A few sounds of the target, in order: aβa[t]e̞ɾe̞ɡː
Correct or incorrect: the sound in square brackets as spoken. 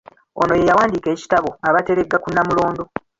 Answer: correct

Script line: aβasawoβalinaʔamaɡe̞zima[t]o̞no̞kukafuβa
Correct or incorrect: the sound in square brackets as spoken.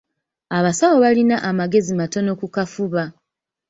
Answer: correct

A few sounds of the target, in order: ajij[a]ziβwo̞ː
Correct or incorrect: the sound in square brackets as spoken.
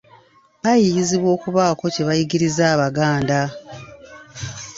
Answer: incorrect: i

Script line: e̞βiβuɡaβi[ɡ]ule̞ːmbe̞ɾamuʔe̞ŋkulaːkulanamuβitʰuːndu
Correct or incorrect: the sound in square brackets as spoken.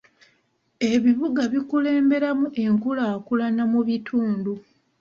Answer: incorrect: k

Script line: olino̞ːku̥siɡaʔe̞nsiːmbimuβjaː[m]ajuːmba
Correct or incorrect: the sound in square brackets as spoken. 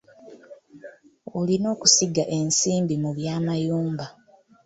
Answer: correct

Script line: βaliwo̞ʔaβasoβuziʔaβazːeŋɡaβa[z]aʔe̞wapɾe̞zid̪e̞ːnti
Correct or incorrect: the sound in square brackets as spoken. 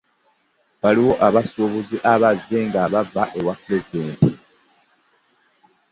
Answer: incorrect: v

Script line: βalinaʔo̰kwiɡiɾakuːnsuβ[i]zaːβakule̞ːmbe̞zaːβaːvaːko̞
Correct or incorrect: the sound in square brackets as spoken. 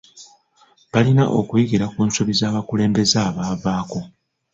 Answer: correct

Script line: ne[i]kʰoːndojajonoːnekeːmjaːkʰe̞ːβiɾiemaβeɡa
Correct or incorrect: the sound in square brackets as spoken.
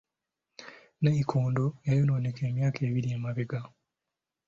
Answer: correct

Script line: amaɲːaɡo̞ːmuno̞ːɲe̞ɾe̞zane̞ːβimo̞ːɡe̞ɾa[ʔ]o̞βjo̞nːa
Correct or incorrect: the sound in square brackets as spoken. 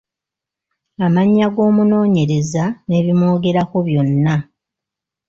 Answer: incorrect: k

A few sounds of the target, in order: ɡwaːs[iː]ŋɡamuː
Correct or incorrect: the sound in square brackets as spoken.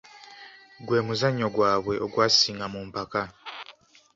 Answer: correct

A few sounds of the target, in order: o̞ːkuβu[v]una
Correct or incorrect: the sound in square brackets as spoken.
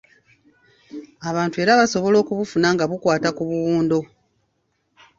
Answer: incorrect: f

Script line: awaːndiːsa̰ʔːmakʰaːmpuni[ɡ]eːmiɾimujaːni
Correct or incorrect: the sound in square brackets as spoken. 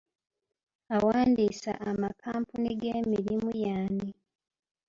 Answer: correct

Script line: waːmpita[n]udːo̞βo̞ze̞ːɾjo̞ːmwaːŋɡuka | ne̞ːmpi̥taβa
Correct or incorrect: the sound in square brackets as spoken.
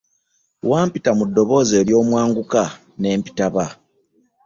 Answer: incorrect: m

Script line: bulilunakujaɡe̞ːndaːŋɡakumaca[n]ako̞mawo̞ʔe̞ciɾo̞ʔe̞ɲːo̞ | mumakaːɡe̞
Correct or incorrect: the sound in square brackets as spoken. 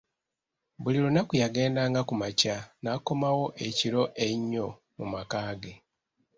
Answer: correct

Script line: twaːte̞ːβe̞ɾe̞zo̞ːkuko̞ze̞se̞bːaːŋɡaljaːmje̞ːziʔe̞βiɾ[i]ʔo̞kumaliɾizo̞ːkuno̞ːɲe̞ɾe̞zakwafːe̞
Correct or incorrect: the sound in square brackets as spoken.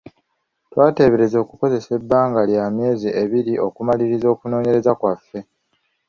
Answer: correct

